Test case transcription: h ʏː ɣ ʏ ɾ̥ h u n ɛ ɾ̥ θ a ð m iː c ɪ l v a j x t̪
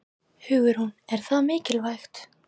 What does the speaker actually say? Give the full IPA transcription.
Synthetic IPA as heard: h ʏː ɣ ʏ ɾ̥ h u n ɛ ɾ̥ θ a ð m ɪː c ɪ l v a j x t̪

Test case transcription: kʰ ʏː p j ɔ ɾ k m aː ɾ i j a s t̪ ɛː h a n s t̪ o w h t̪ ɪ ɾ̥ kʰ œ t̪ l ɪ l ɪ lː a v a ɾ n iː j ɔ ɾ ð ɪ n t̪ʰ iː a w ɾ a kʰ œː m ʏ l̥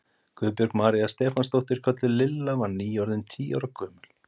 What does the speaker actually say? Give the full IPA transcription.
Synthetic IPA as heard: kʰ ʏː p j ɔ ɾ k m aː ɾ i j a s t̪ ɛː f a n s t̪ o w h t̪ ɪ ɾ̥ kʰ œ t̪ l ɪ l ɪ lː a v a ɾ n iː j ɔ ɾ ð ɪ n t̪ʰ iː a w ɾ a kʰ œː m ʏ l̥

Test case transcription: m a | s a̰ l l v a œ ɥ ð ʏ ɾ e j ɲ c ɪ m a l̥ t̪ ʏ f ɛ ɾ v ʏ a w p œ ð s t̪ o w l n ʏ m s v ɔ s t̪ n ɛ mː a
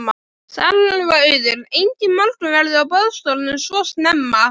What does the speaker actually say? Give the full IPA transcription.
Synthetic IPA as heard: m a | s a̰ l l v a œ ɥ ð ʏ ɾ e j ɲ c ɪ m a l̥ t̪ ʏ v ɛ ɾ ð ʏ a w p œ ð s t̪ o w l n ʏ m s v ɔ s t̪ n ɛ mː a

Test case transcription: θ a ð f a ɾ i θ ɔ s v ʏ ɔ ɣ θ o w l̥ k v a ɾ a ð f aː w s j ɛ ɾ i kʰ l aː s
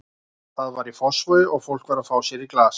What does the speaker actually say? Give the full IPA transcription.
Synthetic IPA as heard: θ a ð v a ɾ i f ɔ s v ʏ ɔ ɣ f o w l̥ k v a ɾ a ð f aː w s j ɛ ɾ i k l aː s

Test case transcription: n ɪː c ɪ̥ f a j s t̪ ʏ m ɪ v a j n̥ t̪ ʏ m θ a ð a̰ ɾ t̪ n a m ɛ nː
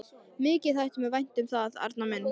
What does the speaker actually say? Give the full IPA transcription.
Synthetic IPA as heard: m ɪː c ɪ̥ θ a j h t̪ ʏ m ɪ v a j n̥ t̪ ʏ m θ a ð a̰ ɾ t̪ n a m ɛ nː

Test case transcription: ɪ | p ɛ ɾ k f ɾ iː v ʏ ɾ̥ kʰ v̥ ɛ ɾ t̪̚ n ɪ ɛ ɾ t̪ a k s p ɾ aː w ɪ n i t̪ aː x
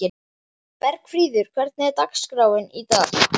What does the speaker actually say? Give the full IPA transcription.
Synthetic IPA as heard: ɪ | p ɛ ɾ k f ɾ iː ð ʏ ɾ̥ kʰ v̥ ɛ ɾ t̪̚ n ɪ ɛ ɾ t̪ a k s k ɾ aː w ɪ n i t̪ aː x

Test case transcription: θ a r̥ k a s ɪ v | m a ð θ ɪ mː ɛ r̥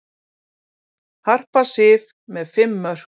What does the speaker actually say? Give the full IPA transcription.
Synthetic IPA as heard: h a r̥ p a s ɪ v | m ɛ ð f ɪ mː œ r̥

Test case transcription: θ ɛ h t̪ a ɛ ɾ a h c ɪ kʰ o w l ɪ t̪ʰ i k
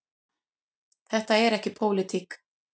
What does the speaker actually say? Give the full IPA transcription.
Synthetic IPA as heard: θ ɛ h t̪ a ɛ ɾ ɛ h c ɪ pʰ o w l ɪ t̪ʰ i k

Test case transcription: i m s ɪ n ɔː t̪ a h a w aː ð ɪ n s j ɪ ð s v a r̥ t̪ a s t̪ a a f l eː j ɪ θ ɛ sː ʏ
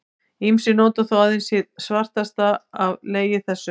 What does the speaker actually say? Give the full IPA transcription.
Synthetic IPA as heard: i m s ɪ n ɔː t̪ a θ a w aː ð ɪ n s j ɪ ð s v a r̥ t̪ a s t̪ a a v l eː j ɪ θ ɛ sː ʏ

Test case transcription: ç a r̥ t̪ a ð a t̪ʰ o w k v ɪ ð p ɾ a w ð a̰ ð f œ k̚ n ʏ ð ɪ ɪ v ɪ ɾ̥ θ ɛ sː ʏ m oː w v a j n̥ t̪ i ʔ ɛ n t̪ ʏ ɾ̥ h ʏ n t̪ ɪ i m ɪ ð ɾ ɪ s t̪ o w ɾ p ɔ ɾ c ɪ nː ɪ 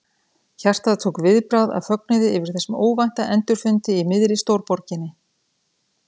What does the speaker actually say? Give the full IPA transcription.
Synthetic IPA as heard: ç a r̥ t̪ a ð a t̪ʰ o w k v ɪ ð p ɾ a w ð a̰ ð f œ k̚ n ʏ ð ɪ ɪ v ɪ ɾ̥ θ ɛ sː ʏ m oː w v a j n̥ t̪ a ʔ ɛ n t̪ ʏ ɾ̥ f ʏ n t̪ ɪ i m ɪ ð ɾ ɪ s t̪ o w ɾ p ɔ ɾ c ɪ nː ɪ

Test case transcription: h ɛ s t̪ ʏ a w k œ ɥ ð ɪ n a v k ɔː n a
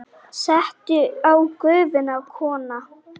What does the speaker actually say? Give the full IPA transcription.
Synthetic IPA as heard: s ɛ h t̪ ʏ a w k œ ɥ v ɪ n a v kʰ ɔː n a

